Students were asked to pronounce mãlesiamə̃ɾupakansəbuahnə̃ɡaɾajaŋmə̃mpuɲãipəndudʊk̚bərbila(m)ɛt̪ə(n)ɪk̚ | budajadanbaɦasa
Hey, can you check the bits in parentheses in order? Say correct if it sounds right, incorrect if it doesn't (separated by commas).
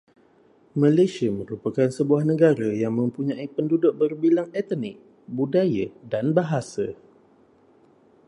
incorrect, correct